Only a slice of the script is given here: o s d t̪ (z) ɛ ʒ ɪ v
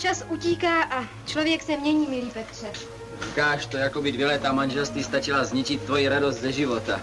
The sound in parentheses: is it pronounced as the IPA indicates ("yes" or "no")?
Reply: yes